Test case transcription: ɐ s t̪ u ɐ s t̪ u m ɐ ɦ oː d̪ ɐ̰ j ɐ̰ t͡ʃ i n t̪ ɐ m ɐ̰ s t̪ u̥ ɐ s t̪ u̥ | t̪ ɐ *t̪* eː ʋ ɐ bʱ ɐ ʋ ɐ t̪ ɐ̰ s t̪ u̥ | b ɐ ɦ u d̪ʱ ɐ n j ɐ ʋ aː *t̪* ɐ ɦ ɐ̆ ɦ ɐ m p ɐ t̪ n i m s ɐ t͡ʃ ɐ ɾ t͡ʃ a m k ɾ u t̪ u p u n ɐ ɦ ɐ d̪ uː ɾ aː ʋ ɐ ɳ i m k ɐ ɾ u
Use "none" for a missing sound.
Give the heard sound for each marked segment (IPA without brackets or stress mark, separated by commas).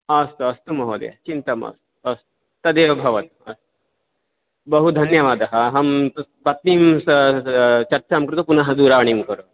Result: d̪, d̪